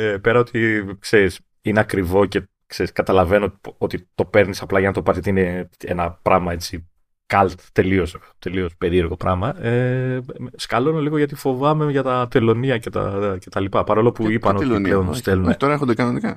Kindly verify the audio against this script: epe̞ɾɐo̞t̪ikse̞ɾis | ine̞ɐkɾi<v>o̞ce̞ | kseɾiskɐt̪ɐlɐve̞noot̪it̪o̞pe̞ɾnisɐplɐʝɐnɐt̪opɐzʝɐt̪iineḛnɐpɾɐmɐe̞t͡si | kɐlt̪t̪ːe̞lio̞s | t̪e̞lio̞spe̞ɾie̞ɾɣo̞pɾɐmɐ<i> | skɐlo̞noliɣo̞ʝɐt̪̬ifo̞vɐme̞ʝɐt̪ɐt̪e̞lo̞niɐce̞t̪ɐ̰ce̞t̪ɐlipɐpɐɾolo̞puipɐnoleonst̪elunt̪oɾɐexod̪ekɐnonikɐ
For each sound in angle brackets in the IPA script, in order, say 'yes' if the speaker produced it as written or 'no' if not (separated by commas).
yes, no